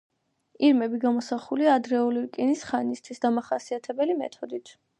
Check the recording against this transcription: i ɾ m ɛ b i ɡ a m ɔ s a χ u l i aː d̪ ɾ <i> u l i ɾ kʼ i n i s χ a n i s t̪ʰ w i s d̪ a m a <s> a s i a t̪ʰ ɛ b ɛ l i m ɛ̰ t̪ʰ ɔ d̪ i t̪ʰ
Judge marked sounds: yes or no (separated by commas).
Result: no, no